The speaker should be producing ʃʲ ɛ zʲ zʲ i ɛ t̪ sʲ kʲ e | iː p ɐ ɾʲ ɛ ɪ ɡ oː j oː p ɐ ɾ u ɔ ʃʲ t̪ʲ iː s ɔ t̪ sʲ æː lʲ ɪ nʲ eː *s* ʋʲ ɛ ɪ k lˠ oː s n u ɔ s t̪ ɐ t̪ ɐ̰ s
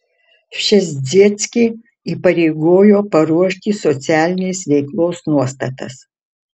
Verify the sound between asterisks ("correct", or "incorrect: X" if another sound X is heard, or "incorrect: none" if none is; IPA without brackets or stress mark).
correct